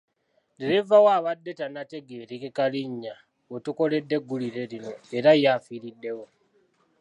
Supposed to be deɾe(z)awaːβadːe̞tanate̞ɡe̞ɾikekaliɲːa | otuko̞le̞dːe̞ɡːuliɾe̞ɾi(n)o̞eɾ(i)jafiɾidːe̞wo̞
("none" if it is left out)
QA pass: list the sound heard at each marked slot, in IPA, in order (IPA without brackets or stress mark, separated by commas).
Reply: v, n, a